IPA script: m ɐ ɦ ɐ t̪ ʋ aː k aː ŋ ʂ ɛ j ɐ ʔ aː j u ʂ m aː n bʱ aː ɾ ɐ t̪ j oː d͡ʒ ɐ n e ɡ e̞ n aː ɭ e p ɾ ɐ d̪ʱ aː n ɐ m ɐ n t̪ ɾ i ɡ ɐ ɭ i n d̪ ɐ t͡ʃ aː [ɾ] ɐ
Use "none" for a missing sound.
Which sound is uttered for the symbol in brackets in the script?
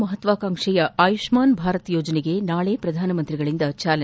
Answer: l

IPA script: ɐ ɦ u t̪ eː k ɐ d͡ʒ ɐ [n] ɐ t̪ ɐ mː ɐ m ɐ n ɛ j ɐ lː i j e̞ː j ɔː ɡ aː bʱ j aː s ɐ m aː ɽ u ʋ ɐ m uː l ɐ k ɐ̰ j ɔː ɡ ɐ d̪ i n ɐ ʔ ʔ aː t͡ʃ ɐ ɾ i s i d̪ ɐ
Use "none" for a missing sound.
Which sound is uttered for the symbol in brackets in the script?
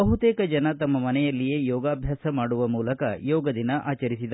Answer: n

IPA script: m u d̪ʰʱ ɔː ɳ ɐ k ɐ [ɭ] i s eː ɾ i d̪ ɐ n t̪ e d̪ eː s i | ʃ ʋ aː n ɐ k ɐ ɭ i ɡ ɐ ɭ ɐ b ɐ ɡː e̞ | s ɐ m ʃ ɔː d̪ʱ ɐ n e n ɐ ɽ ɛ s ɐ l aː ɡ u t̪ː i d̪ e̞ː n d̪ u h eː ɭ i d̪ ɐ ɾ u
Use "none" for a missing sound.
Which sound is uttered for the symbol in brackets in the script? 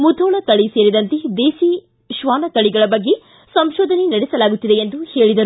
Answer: ɭ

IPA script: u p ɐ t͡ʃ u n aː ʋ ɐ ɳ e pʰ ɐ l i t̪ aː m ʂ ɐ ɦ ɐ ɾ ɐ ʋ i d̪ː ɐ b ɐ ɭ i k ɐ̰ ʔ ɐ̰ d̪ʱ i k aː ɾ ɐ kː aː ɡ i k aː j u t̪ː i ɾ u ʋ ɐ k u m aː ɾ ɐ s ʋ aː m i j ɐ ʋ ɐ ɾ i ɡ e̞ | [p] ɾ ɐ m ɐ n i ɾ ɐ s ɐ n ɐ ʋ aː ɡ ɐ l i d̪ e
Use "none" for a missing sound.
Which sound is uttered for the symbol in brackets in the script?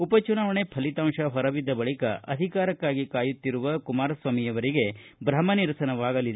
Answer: b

